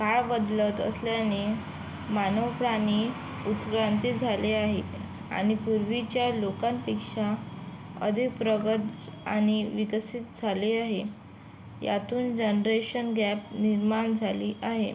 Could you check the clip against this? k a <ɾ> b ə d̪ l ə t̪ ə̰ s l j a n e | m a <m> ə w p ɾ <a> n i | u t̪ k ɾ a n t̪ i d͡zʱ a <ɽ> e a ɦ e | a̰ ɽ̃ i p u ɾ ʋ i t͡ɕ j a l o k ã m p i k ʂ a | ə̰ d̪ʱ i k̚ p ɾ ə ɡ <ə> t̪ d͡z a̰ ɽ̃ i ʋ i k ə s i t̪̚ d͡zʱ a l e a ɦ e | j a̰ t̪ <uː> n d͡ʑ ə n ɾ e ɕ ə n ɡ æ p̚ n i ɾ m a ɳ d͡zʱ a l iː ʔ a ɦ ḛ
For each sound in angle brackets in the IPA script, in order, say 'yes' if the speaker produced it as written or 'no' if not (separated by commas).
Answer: no, no, yes, no, yes, yes